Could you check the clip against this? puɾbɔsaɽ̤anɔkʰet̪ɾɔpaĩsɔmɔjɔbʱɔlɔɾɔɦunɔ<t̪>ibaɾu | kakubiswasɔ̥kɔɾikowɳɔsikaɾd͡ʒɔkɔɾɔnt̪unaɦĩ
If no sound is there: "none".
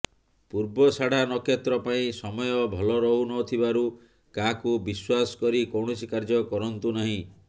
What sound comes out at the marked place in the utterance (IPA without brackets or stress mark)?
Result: t̪ʰ